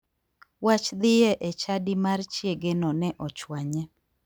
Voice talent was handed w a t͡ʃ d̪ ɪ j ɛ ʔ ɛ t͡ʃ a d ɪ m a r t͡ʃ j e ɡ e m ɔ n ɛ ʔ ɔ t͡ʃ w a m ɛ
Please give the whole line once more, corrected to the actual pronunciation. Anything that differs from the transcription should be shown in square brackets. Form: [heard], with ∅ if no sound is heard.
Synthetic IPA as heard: w a t͡ʃ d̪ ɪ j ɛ ʔ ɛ t͡ʃ a d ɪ m a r t͡ʃ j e ɡ e [n] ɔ n ɛ ʔ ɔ t͡ʃ w a [ɲ] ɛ